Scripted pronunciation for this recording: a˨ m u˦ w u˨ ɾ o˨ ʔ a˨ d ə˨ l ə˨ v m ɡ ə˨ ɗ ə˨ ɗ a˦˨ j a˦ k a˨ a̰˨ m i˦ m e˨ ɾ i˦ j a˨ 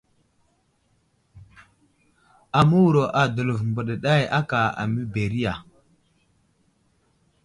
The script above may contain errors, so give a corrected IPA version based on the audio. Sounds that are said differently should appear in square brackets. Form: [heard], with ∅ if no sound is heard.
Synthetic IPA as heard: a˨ m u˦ w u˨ ɾ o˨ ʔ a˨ d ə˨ l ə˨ v m [b] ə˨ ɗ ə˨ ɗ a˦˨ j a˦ k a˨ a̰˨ m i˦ [b] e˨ ɾ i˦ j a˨